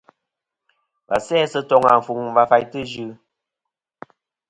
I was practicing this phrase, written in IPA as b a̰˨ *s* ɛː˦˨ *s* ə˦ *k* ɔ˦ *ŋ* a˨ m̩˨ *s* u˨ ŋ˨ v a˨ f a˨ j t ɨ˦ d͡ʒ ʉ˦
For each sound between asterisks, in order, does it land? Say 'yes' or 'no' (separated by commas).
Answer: yes, yes, no, yes, no